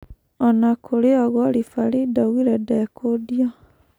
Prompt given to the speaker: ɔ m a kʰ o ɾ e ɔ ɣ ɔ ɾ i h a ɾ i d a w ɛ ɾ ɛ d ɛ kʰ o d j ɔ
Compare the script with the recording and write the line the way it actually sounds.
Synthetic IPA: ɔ n a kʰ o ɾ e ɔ ɣ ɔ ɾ i f a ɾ i d a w i ɾ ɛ d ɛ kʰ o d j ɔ